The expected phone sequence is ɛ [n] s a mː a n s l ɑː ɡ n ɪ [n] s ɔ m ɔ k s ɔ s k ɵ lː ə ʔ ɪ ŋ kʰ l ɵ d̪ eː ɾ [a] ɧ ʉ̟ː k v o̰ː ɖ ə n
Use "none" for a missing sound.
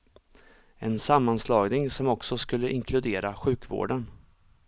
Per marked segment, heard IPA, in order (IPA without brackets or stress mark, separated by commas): n, ŋ, a